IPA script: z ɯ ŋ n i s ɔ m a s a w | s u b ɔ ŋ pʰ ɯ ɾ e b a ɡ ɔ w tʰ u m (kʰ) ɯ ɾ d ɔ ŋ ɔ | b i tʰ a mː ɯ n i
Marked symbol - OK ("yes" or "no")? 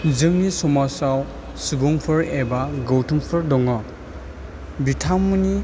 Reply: no